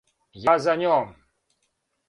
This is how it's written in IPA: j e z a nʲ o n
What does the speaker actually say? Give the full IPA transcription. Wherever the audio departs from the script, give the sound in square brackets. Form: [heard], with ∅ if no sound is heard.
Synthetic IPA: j [a] z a nʲ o [m]